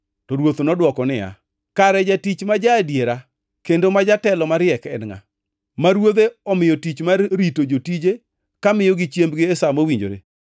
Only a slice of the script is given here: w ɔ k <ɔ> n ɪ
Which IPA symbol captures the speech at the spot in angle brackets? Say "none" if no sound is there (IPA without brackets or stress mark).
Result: ɔ